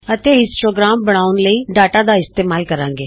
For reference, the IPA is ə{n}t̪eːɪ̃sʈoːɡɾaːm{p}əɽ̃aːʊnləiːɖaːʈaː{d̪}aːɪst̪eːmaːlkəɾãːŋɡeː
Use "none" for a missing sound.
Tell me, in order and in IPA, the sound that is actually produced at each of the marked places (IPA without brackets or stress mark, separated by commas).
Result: none, b, d̪